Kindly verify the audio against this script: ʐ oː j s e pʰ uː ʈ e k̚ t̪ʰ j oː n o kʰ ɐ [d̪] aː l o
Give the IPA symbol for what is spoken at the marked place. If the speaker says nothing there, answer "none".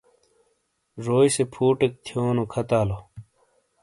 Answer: t̪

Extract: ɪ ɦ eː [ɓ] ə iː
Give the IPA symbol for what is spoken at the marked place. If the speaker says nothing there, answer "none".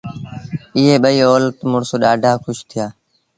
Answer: ɓ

